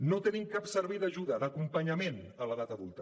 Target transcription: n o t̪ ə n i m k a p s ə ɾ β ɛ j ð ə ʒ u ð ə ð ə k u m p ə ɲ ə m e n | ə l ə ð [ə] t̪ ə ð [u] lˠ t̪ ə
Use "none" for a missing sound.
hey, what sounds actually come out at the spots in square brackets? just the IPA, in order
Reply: a, u

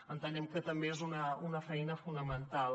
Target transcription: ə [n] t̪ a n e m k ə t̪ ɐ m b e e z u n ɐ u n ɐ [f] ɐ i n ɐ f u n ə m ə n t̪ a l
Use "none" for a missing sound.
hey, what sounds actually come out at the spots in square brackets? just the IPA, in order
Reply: n, f

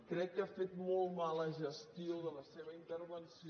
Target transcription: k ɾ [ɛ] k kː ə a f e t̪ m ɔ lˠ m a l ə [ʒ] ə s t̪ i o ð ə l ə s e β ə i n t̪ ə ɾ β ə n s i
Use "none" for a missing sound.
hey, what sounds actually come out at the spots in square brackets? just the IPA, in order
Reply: ɛ, ʒ

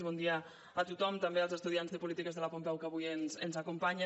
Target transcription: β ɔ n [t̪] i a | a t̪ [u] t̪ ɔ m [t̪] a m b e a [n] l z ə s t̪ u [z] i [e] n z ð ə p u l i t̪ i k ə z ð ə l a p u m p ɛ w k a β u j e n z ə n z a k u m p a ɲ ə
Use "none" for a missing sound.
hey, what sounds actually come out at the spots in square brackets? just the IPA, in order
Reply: d̪, u, t̪, none, ð, a

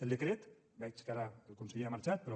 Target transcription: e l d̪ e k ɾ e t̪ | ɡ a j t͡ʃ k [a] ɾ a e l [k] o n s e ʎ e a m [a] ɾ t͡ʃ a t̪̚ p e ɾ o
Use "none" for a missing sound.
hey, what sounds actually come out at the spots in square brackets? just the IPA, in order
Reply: a, k, a

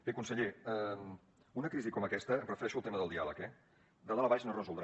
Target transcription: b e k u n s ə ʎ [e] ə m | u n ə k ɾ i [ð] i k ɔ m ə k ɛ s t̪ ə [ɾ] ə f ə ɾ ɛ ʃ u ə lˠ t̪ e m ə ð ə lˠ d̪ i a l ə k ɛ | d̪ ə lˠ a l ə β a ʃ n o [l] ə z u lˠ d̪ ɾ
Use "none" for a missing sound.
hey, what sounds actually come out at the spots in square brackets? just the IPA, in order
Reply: e, z, r, r

